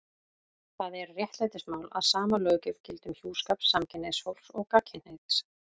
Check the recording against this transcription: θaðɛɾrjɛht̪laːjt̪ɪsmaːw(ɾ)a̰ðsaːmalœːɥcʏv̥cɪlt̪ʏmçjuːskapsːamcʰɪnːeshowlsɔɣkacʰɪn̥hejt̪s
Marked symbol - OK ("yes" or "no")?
no